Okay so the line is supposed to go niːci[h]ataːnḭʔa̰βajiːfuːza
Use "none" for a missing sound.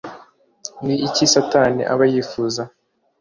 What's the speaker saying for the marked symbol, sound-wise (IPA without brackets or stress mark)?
s